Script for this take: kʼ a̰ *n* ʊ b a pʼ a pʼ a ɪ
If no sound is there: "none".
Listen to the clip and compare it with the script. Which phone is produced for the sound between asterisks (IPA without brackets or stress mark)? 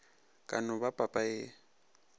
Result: n